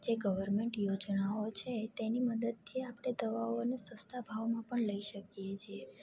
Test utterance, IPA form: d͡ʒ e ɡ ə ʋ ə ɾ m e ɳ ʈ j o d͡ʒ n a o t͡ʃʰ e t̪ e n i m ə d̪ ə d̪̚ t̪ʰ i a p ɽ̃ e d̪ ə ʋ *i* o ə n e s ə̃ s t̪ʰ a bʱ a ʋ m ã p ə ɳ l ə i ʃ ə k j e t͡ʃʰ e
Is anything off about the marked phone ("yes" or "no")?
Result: yes